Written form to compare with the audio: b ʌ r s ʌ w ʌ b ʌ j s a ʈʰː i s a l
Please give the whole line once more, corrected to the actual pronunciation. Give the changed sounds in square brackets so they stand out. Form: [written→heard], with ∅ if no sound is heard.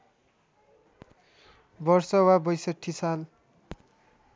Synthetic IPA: b ʌ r s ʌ w [ʌ→a] b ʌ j s [a→ʌ] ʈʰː i s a l